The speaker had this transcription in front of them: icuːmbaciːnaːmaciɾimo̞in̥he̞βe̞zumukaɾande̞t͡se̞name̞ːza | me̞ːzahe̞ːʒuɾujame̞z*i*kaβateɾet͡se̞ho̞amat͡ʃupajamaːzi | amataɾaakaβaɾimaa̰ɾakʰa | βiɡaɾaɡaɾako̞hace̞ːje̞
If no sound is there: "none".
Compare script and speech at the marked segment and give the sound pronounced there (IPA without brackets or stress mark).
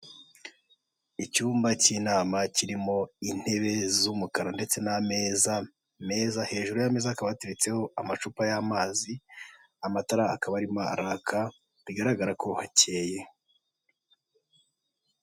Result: a